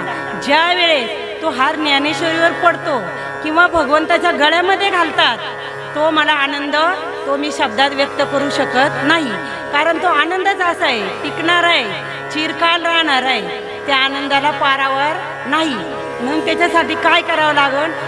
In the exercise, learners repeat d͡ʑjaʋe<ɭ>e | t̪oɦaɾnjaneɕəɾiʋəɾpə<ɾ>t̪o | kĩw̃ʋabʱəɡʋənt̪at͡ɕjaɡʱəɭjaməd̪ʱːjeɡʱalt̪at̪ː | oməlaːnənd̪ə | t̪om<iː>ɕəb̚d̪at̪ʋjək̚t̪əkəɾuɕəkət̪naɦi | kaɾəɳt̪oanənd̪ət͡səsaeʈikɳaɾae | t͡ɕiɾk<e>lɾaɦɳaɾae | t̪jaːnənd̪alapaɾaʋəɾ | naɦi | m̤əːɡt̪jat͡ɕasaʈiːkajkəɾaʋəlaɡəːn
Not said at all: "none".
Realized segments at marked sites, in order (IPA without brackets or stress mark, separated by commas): ɭ, ɽ, iː, a